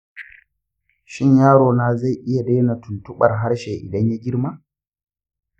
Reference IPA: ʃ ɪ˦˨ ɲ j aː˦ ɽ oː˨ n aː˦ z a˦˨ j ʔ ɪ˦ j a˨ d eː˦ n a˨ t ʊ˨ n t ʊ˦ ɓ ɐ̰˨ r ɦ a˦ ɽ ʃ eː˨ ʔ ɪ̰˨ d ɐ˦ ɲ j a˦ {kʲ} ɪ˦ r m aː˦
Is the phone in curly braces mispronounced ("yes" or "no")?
yes